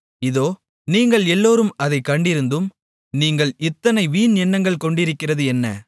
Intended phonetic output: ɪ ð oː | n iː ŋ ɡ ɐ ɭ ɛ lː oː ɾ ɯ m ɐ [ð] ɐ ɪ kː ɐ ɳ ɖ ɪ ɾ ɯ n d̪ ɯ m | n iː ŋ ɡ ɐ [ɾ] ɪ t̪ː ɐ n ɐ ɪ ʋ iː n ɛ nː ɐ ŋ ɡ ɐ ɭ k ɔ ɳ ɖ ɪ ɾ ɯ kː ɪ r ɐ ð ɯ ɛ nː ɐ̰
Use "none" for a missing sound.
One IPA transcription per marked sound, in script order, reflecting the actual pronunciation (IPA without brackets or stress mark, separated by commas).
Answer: ð, ɭ